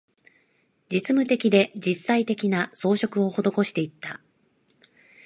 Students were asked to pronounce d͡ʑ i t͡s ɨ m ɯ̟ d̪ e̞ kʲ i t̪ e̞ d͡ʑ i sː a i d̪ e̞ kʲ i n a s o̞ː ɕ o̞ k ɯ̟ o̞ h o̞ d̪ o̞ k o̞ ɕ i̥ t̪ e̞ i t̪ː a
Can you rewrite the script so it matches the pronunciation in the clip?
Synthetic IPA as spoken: d͡ʑ i t͡s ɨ m ɯ̟ t̪ e̞ kʲ i d̪ e̞ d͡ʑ i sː a i t̪ e̞ kʲ i n a s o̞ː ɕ o̞ k ɯ̟ o̞ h o̞ d̪ o̞ k o̞ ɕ i̥ t̪ e̞ i t̪ː a